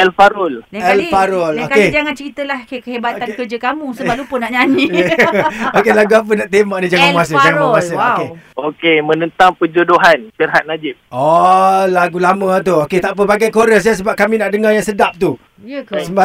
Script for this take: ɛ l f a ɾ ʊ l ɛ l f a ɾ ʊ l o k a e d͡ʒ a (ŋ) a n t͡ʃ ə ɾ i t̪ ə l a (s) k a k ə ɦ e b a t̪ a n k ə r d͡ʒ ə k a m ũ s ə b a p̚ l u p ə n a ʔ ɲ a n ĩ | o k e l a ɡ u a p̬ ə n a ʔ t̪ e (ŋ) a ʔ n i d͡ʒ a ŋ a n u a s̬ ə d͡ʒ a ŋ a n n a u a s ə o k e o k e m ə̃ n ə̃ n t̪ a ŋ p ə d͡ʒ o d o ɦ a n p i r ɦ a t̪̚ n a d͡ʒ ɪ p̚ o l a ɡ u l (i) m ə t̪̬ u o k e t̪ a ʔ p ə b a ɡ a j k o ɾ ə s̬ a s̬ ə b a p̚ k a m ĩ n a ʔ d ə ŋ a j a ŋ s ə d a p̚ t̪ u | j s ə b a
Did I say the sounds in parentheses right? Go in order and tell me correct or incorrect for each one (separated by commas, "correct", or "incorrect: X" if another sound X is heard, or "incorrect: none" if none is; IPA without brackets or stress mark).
correct, incorrect: h, incorrect: m, incorrect: a